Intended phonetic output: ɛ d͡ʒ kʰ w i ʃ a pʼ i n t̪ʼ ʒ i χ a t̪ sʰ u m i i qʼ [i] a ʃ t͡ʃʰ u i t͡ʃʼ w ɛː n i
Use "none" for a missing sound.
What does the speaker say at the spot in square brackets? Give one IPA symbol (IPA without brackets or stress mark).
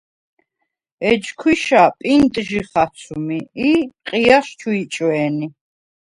i